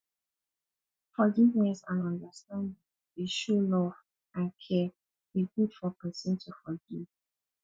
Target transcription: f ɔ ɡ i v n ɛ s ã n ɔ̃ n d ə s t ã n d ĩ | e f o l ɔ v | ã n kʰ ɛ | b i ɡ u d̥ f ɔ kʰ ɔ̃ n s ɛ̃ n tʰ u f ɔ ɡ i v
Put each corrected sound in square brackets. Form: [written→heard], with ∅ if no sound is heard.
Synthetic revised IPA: f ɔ ɡ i v n ɛ s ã n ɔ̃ n d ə s t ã n d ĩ | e [f→ʃ] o l ɔ v | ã n kʰ ɛ | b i ɡ u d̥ f ɔ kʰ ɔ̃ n s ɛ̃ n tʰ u f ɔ ɡ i v